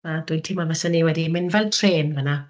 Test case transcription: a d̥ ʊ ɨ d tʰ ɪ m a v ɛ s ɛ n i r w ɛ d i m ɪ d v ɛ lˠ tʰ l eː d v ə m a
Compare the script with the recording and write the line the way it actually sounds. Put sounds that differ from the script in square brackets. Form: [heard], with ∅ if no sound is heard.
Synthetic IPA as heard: a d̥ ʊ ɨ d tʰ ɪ m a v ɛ s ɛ n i [∅] w ɛ d i m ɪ [n] v ɛ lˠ tʰ [r] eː [n] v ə [n] a